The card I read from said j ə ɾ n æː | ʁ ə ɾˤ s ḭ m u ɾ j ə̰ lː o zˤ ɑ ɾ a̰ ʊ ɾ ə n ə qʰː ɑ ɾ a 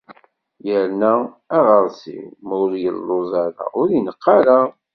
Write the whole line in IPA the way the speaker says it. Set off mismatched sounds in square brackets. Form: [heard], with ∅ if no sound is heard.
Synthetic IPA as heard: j ə ɾ n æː | ʁ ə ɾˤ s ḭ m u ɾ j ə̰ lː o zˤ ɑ ɾ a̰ ʊ ɾ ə n ə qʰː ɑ ɾ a